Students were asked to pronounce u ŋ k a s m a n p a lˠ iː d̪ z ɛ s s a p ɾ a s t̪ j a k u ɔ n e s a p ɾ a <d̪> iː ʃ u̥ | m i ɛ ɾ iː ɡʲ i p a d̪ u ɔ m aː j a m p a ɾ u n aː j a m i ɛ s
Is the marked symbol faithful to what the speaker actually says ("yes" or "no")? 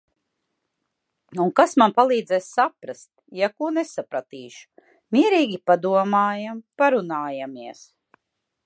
no